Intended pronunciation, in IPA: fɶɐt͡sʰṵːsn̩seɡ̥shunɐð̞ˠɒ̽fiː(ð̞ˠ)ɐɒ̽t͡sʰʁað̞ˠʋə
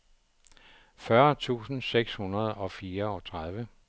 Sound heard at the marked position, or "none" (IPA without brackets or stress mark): none